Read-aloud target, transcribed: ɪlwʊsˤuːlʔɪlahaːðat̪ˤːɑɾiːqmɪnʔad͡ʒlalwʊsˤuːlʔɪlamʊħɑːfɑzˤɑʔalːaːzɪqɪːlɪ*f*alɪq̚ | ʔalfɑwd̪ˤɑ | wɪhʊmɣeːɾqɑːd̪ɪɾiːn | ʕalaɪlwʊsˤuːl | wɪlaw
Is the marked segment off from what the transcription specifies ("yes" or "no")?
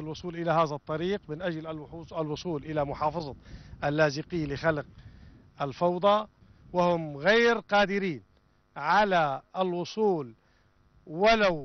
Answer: yes